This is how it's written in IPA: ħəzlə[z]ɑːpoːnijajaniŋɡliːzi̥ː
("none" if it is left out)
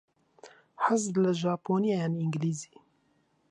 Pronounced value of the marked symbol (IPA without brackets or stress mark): ʒ